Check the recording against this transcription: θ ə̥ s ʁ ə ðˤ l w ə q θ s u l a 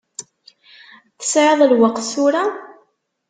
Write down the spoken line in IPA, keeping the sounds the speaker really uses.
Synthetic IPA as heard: θ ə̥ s ʕ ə ðˤ l w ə q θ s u ɾ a